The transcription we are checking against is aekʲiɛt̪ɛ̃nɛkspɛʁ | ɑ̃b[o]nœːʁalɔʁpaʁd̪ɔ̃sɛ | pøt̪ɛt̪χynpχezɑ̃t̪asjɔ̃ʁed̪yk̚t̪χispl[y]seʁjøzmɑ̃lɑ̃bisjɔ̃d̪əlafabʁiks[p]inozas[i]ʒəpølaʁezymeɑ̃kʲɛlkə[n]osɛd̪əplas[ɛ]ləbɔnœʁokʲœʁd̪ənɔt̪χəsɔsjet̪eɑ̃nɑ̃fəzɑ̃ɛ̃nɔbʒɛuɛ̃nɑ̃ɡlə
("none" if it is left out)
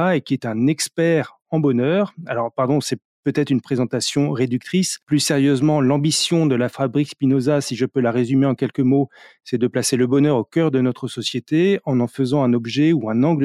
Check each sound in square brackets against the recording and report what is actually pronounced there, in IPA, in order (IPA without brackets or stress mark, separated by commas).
ɔ, y, p, i, m, e